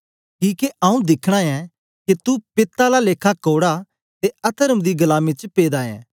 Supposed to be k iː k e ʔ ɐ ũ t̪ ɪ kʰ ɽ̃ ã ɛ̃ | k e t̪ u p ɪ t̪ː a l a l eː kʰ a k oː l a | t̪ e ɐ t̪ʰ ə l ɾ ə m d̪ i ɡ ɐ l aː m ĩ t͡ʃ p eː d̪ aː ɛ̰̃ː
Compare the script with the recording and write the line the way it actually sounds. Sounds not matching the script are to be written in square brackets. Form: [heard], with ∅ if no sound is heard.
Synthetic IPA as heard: k iː k e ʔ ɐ ũ [d̪] ɪ kʰ ɽ̃ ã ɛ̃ | k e t̪ u p ɪ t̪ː a l a l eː kʰ a k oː [ɽ] a | t̪ e ɐ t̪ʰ ə [∅] ɾ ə m d̪ i ɡ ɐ l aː m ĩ t͡ʃ p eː d̪ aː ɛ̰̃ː

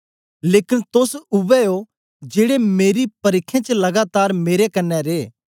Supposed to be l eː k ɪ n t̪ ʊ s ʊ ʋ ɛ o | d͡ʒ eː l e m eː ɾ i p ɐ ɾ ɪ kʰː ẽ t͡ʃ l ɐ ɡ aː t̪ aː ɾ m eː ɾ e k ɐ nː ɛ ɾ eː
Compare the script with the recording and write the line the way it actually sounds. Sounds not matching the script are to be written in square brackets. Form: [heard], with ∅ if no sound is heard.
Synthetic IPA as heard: l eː k ɪ n t̪ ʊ s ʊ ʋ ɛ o | d͡ʒ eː [ɽ] e m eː ɾ i p ɐ ɾ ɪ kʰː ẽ t͡ʃ l ɐ ɡ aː t̪ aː ɾ m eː ɾ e k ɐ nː ɛ ɾ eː

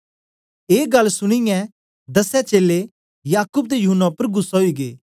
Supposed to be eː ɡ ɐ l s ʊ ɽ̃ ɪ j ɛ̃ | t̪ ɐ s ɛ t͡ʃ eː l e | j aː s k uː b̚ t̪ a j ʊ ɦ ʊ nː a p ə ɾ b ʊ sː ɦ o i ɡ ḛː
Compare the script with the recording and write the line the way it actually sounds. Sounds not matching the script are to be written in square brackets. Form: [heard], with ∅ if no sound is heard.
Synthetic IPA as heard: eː ɡ ɐ l s ʊ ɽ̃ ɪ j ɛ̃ | [d̪] ɐ s ɛ t͡ʃ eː l e | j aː [∅] k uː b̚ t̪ [e] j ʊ ɦ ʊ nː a p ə ɾ [ɡ] ʊ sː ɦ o i ɡ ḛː

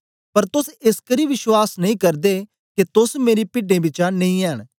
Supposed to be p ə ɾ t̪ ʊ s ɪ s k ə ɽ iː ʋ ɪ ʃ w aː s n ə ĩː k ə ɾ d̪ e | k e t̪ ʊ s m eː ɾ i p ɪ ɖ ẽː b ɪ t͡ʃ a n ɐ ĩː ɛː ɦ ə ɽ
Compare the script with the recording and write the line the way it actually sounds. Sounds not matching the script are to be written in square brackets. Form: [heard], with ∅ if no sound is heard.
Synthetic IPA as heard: p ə ɾ t̪ ʊ s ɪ s k ə [ɾ] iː ʋ ɪ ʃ w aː s n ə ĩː k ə ɾ d̪ e | k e t̪ ʊ s m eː ɾ i p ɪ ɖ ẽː b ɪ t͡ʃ a n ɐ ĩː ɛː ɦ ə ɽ

